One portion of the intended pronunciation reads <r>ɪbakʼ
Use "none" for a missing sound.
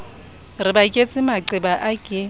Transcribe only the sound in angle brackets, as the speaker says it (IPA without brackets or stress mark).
r